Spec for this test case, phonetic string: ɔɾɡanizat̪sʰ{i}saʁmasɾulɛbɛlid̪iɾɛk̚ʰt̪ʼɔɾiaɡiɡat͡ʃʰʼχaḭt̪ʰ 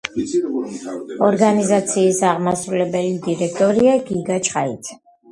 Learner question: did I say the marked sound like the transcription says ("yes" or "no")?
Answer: no